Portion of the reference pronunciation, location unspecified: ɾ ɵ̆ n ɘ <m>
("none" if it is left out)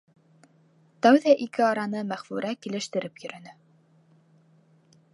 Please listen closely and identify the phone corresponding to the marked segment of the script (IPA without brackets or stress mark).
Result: none